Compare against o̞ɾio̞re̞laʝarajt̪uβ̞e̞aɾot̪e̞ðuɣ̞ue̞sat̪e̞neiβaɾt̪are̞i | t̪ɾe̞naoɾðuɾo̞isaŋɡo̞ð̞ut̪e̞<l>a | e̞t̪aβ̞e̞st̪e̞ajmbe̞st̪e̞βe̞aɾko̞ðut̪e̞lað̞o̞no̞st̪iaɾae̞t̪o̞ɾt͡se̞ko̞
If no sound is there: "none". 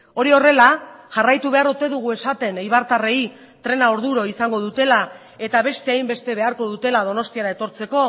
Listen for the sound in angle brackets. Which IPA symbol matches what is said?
l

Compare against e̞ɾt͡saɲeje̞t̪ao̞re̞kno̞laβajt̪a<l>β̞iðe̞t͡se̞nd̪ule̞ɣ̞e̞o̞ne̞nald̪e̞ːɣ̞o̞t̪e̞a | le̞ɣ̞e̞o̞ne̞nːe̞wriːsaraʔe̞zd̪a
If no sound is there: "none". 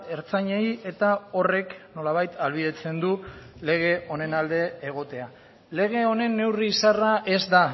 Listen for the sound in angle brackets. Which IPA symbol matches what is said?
l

